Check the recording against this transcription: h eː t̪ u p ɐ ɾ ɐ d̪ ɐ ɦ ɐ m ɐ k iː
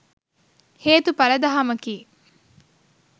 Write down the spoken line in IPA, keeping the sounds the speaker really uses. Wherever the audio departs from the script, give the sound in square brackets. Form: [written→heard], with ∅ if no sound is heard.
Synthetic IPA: h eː t̪ u p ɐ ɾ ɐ d̪ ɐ ɦ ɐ m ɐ k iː